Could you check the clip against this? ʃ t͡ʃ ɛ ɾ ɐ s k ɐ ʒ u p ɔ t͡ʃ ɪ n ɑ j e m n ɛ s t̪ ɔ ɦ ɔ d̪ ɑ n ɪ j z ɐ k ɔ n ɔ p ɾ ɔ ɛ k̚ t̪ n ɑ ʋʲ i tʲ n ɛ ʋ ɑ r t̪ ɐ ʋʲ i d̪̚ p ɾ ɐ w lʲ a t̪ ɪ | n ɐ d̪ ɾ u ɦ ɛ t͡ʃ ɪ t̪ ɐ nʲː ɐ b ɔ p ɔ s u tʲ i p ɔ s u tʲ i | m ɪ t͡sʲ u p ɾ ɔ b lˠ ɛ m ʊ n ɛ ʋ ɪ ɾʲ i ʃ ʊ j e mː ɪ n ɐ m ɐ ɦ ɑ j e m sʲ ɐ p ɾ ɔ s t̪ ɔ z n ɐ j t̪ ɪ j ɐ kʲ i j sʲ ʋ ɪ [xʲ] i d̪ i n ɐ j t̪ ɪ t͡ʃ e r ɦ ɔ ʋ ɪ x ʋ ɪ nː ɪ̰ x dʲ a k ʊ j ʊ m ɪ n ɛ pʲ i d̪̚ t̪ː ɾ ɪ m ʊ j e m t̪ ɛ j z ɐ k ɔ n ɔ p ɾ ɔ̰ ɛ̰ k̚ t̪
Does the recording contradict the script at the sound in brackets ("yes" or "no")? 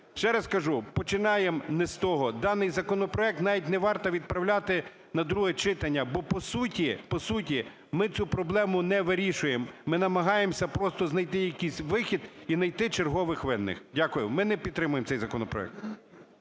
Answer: no